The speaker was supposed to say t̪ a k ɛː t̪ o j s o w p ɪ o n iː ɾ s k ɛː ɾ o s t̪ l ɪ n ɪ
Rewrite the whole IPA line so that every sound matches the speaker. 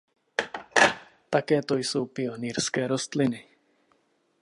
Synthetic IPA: t̪ a k ɛː t̪ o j s o w p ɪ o n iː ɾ s k ɛː ɾ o s t̪ l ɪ n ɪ